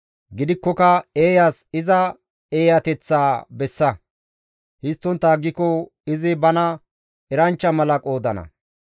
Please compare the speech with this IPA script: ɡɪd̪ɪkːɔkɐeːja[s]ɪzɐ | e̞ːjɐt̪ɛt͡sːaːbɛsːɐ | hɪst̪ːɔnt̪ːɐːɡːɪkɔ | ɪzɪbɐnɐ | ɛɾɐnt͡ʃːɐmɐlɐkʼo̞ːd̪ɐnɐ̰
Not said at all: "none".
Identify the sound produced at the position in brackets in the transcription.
s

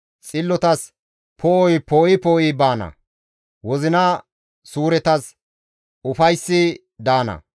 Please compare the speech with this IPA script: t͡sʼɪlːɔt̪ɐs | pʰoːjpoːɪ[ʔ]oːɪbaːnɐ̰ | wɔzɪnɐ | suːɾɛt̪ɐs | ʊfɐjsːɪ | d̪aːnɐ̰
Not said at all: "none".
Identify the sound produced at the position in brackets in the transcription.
p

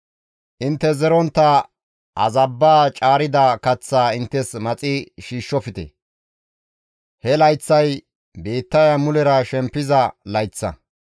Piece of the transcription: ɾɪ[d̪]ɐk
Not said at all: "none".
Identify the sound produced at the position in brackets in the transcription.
d̪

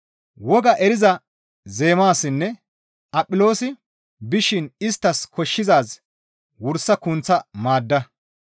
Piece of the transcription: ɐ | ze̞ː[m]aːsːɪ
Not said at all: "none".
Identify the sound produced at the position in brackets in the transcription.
m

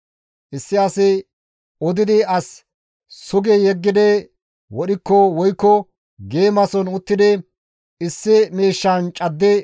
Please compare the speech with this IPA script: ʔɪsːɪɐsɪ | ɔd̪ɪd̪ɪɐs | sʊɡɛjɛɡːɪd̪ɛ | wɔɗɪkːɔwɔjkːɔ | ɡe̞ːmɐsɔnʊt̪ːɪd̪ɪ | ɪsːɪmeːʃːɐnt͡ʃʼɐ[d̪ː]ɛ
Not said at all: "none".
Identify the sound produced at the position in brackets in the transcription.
d̪ː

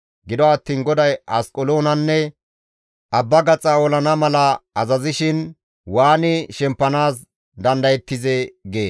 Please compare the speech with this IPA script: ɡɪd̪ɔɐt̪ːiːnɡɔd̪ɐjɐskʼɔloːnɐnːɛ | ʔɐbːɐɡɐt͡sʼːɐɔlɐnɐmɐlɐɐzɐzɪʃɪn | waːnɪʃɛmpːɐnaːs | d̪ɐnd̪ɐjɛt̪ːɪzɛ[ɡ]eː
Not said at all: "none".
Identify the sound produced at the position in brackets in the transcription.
ɡ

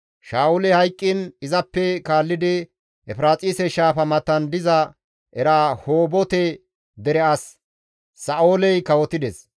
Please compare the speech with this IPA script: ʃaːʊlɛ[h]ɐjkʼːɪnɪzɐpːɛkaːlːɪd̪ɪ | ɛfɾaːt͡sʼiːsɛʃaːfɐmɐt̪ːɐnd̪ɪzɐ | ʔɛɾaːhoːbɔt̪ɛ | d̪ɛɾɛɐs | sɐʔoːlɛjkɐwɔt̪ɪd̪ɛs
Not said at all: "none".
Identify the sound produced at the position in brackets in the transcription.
h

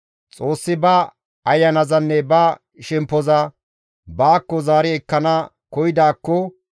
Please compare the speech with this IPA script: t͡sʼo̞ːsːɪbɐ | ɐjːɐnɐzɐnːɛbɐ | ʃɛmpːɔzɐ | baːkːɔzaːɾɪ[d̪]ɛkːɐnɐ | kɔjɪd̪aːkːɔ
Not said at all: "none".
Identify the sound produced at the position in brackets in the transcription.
none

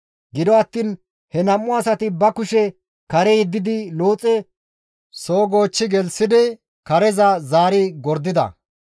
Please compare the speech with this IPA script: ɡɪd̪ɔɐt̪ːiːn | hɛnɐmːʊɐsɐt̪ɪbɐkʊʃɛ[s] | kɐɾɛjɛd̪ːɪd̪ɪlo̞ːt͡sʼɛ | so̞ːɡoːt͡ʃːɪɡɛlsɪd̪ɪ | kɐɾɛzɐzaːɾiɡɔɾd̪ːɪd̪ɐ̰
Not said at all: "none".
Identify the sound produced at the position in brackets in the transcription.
none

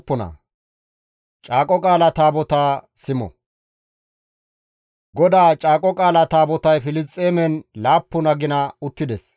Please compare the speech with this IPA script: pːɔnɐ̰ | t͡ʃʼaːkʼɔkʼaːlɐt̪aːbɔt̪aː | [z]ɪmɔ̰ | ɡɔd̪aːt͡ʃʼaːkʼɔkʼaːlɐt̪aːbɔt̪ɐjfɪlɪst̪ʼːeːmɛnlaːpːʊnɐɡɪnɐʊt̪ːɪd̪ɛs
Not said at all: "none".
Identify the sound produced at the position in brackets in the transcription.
s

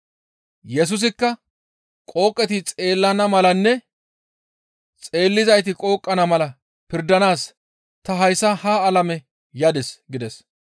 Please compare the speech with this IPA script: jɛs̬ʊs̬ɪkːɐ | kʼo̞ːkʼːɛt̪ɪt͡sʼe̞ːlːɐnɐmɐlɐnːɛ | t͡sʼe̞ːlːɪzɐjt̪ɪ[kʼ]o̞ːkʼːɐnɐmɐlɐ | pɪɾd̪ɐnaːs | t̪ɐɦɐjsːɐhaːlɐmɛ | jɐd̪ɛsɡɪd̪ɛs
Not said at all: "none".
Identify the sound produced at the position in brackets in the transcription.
kʼ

